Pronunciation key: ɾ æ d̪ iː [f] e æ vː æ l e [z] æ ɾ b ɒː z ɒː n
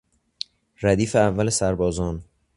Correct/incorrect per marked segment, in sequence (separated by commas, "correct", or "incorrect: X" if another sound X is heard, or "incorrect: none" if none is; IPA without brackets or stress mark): correct, incorrect: s